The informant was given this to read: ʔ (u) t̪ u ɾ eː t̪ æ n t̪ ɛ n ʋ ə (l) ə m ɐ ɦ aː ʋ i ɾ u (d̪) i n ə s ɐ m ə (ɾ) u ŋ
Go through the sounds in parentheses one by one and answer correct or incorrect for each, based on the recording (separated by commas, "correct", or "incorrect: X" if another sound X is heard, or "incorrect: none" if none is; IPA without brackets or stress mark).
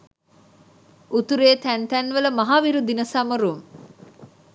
correct, correct, correct, correct